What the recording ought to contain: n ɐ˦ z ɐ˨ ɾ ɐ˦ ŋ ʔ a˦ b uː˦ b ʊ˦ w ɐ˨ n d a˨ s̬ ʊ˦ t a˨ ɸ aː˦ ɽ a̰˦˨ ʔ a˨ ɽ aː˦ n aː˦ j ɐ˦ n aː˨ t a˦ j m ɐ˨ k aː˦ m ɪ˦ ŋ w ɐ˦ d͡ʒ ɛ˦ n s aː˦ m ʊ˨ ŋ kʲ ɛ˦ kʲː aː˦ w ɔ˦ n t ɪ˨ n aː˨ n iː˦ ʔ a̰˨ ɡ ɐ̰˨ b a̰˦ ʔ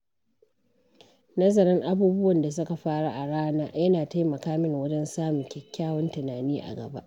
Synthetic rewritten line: n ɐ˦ z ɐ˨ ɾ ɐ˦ ŋ ʔ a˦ b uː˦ b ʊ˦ w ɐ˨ n d a˨ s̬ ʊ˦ k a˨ ɸ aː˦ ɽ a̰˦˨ ʔ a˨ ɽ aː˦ n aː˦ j ɐ˦ n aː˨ t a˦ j m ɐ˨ k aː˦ m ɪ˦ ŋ w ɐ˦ d͡ʒ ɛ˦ n s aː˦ m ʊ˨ ŋ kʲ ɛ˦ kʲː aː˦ w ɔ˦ n t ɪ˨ n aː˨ n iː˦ ʔ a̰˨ ɡ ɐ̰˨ b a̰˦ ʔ

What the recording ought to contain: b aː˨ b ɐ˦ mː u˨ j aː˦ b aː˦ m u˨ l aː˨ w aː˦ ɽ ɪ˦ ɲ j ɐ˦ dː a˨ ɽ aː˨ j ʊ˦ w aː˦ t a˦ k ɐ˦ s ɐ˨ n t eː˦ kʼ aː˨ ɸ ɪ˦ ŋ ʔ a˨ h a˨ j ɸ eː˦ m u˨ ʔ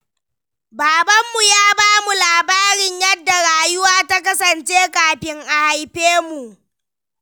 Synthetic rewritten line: b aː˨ b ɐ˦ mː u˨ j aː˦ b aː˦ m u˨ l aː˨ b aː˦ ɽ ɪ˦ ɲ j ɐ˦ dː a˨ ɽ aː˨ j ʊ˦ w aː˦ t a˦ k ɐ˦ s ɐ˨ n t͡ʃ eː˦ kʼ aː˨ ɸ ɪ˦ ŋ ʔ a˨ h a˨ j ɸ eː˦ m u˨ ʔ

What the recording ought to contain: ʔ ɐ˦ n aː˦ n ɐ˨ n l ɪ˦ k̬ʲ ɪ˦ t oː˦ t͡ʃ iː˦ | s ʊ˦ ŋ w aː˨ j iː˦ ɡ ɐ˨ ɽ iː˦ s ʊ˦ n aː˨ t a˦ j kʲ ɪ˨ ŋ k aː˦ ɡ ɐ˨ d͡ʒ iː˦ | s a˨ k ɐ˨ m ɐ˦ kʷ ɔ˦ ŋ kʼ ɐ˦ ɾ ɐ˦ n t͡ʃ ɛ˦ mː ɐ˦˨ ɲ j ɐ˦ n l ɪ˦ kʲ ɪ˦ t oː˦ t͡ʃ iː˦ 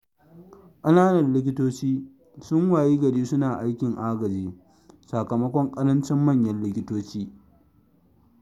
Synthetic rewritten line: ʔ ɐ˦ n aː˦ n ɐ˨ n l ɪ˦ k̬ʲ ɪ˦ t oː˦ t͡ʃ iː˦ | s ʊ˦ ŋ w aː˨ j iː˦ ɡ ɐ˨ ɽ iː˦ s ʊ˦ n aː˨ ʔ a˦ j kʲ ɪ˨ ŋ ʔ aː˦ ɡ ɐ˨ d͡ʒ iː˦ | s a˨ k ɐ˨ m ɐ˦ kʷ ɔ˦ ŋ kʼ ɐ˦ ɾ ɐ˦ n t͡ʃ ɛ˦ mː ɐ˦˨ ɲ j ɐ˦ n l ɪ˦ kʲ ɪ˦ t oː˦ t͡ʃ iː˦

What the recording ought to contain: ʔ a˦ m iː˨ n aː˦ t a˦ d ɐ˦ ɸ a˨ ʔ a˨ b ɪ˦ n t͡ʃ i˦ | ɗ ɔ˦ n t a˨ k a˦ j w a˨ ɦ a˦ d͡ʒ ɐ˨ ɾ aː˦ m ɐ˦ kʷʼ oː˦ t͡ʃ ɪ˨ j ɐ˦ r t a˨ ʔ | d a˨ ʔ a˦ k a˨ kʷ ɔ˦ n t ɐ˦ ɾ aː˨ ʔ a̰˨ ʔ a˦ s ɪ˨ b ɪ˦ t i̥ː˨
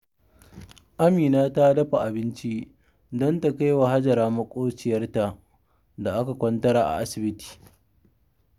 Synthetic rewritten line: ʔ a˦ m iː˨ n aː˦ t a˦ d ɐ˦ ɸ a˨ ʔ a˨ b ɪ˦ n t͡ʃ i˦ | d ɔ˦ n t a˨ k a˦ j w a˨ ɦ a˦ d͡ʒ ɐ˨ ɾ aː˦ m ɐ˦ kʷʼ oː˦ t͡ʃ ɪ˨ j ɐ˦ r t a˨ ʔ | d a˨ ʔ a˦ k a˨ kʷ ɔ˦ n t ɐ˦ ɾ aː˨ ʔ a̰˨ ʔ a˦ s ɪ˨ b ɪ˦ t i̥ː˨

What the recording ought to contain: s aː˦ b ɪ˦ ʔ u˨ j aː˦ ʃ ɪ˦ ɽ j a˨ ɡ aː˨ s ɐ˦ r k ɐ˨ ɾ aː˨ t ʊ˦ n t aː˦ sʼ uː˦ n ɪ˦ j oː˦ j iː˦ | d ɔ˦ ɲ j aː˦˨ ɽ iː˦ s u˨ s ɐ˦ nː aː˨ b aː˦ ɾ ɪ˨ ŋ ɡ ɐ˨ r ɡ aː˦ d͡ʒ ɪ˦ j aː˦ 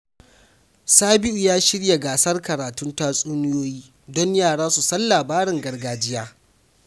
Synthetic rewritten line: s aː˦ b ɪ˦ ʔ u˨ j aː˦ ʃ ɪ˦ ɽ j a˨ ɡ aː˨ s ɐ˦ r k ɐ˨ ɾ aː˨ t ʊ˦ n t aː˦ sʼ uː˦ n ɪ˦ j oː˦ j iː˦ | d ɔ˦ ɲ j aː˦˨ ɽ aː˦ s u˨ s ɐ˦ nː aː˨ b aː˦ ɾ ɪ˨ ŋ ɡ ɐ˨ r ɡ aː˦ d͡ʒ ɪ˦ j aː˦

